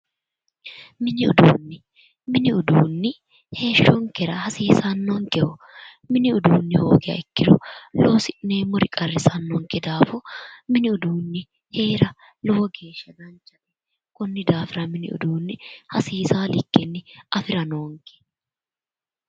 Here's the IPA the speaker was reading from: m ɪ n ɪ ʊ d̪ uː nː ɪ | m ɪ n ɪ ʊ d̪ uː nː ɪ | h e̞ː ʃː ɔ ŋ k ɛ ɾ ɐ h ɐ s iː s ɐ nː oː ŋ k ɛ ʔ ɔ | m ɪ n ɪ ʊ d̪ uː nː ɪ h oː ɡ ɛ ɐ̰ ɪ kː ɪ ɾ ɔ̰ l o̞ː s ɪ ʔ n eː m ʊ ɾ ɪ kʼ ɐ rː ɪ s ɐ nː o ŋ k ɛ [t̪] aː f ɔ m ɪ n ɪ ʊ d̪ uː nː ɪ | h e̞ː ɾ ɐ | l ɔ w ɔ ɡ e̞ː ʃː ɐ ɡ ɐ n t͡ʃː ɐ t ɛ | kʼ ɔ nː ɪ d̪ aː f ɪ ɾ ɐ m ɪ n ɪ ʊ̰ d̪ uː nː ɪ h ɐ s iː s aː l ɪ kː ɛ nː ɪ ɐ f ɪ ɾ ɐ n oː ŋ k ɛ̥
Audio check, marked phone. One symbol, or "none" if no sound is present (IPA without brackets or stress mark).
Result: d̪